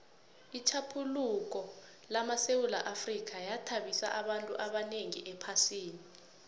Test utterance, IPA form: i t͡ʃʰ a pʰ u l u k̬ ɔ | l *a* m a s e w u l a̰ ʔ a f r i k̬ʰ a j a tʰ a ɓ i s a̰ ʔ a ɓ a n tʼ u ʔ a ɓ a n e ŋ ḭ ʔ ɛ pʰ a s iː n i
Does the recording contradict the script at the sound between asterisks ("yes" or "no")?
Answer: no